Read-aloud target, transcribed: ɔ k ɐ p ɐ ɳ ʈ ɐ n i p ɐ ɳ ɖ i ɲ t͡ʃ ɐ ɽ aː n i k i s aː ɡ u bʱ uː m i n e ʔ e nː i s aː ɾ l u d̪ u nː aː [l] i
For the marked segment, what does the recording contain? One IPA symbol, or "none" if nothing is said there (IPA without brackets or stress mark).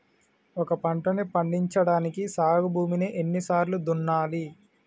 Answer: l